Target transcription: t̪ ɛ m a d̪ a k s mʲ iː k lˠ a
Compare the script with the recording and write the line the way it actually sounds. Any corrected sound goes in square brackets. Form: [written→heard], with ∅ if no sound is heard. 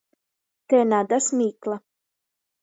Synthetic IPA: t̪ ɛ [m→n] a d̪ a [k→∅] s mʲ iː k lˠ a